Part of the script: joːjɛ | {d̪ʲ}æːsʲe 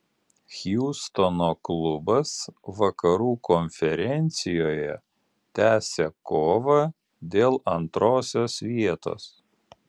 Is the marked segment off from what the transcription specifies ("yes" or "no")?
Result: yes